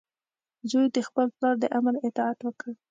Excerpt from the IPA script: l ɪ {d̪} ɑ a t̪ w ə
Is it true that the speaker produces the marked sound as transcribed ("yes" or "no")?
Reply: no